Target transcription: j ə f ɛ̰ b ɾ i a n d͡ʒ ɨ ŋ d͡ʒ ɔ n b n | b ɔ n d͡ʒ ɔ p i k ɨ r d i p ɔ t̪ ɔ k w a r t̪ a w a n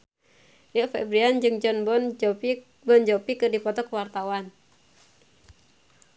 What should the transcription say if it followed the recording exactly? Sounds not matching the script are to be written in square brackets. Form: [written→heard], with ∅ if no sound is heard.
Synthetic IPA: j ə f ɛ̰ b ɾ i a n d͡ʒ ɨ ŋ d͡ʒ ɔ n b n | b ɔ n d͡ʒ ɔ p i k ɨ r d i p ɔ t̪ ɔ k w a r t̪ a w a n